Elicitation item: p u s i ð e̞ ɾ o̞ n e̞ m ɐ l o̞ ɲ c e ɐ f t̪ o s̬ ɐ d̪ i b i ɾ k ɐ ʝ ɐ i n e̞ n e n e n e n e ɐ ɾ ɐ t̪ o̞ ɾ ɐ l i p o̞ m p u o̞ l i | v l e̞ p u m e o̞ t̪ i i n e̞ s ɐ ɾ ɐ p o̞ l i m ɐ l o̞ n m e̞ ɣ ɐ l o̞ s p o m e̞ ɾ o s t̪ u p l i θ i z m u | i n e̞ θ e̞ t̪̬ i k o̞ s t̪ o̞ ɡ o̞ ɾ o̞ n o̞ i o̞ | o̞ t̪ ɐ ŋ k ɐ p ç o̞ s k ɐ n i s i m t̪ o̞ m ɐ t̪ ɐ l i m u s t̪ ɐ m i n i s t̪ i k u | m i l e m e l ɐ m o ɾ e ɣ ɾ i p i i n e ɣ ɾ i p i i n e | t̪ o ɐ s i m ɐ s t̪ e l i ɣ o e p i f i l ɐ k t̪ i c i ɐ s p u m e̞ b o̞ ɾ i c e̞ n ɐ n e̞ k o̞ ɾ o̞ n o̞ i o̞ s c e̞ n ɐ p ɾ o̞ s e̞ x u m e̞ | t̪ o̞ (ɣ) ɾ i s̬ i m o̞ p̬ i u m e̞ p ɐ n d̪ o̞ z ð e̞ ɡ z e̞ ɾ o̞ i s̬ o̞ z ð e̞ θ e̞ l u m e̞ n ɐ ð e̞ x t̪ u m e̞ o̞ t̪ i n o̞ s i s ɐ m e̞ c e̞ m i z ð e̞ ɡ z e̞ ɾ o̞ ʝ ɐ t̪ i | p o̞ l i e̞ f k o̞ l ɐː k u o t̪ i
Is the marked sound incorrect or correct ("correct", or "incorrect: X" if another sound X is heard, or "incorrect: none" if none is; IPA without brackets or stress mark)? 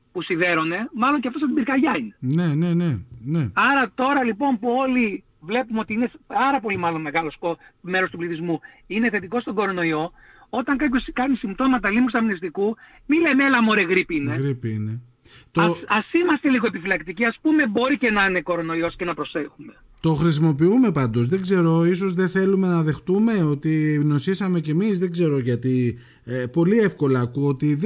incorrect: x